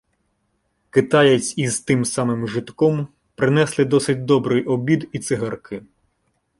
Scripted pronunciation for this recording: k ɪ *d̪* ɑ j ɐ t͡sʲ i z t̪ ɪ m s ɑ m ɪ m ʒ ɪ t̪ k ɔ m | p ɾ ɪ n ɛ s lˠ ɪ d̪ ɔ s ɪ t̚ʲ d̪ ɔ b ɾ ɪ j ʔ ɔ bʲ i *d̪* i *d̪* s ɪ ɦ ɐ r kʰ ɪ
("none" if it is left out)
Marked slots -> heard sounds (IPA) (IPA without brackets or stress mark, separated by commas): t̪, d̪, t̪